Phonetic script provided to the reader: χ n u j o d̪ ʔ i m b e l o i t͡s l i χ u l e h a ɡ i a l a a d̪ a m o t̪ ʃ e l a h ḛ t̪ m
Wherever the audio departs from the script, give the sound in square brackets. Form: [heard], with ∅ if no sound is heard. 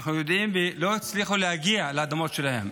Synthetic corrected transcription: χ n u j o d̪ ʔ i m b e l o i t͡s l i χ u l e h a ɡ i a l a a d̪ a m o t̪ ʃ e l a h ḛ [∅] m